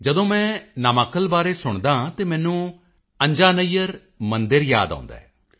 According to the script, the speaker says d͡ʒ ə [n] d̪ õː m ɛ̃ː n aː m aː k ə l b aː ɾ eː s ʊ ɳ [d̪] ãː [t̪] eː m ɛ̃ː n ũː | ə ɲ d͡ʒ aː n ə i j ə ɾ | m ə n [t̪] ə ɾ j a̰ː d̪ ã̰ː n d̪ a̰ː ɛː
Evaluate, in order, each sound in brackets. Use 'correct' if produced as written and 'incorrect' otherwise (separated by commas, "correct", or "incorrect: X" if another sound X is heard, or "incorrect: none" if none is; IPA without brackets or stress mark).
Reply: incorrect: none, correct, correct, incorrect: d̪